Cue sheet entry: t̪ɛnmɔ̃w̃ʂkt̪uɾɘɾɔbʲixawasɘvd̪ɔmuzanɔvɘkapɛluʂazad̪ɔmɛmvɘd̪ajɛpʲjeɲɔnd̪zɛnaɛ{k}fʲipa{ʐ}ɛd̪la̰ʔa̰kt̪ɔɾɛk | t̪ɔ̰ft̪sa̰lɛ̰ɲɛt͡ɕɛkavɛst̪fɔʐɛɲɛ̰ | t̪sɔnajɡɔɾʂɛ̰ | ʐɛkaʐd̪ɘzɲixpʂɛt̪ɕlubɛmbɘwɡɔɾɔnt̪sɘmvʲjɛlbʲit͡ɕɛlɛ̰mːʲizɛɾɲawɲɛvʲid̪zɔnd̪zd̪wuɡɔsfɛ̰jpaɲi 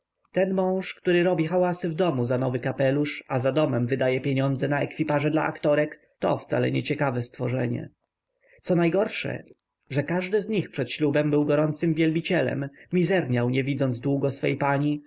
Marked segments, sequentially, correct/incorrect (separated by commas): correct, correct